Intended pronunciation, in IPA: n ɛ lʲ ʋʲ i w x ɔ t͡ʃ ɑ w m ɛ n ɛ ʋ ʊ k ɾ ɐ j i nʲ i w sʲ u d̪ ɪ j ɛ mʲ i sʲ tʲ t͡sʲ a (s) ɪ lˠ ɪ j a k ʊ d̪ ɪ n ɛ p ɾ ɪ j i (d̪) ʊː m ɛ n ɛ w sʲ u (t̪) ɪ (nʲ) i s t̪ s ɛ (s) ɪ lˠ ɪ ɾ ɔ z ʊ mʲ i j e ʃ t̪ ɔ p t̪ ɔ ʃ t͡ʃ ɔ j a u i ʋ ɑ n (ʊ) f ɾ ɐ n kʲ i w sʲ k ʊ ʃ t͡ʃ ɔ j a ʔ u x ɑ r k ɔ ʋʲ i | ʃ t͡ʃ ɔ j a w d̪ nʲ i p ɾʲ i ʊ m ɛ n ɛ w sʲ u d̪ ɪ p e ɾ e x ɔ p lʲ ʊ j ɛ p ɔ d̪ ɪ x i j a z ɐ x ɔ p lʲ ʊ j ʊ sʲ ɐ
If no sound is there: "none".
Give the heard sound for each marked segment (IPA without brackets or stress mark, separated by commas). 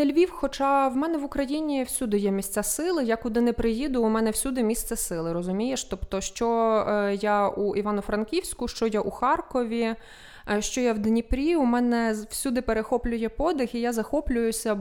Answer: s, d̪, d̪, mʲ, s, ʊ